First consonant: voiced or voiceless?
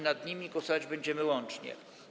voiced